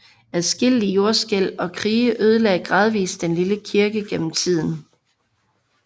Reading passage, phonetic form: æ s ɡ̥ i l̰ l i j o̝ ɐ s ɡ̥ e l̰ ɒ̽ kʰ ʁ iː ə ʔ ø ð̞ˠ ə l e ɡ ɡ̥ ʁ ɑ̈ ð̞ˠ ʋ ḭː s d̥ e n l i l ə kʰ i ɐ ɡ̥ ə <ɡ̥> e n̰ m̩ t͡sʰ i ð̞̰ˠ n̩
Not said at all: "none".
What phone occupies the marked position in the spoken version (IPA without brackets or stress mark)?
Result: ɡ̥